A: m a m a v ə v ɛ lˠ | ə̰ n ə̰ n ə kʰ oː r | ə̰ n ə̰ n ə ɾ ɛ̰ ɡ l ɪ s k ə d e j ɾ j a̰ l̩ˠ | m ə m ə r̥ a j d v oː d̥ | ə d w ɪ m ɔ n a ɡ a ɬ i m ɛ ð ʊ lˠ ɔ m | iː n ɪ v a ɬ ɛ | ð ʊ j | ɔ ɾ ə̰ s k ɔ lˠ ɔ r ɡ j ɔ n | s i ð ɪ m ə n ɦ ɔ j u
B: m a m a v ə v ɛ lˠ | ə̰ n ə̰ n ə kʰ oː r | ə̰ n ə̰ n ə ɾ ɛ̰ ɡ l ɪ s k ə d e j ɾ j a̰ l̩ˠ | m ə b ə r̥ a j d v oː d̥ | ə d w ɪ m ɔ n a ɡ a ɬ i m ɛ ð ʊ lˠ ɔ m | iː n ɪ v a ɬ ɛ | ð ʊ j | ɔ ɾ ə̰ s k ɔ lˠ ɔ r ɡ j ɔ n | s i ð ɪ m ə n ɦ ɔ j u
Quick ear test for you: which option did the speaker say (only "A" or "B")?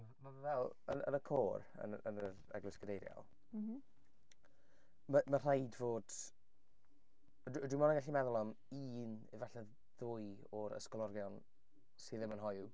A